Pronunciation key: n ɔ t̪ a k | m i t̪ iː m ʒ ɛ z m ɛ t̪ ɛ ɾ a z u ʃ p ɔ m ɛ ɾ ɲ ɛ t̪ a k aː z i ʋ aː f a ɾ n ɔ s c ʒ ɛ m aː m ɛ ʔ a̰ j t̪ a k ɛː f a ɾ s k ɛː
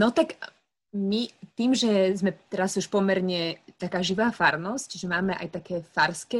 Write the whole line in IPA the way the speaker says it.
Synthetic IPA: n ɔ t̪ a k | m i t̪ iː m ʒ ɛ z m ɛ t̪ ɛ ɾ a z u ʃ p ɔ m ɛ ɾ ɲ ɛ t̪ a k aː ʒ i ʋ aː f a ɾ n ɔ s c ʒ ɛ m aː m ɛ ʔ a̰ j t̪ a k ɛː f a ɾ s k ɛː